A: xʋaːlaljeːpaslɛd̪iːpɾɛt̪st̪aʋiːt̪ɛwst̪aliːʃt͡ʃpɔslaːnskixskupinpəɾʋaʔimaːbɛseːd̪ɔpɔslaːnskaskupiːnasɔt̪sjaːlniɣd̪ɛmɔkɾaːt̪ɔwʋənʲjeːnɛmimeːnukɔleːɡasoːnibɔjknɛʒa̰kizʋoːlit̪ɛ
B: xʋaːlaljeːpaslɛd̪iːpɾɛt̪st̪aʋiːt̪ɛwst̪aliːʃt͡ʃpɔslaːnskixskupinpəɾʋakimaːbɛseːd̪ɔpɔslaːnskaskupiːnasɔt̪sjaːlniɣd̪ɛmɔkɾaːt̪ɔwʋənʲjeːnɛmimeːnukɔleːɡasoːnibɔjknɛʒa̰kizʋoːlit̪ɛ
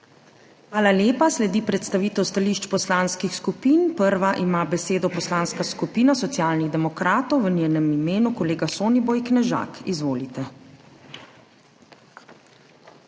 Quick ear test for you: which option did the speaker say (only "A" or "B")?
A